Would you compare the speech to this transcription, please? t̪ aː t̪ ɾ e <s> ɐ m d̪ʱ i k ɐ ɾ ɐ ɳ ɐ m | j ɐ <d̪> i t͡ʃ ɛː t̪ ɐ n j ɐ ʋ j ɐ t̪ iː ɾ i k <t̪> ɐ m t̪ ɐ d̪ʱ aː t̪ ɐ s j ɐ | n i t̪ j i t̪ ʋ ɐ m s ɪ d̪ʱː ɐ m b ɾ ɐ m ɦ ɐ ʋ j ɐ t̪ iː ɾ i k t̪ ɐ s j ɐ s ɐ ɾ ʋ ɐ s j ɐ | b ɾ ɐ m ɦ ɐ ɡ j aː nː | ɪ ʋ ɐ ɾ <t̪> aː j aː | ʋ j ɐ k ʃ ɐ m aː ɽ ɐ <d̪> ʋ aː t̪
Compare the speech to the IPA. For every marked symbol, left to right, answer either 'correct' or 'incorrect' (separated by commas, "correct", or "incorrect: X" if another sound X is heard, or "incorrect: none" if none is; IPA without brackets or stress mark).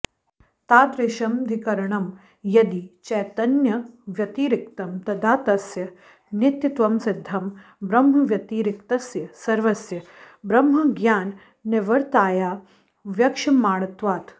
incorrect: ʃ, correct, correct, correct, incorrect: t̪